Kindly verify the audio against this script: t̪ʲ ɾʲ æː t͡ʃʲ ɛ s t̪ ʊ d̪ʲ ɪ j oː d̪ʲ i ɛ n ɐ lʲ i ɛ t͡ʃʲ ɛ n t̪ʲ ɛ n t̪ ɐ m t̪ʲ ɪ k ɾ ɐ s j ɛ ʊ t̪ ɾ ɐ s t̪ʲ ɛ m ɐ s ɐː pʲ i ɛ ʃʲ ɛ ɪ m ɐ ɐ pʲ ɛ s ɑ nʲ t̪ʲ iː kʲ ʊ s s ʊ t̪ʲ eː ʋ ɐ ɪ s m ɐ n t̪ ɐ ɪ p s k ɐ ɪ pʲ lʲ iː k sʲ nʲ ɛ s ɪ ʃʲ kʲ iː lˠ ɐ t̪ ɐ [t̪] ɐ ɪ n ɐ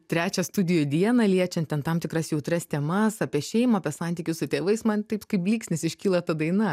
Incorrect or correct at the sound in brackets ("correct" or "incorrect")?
incorrect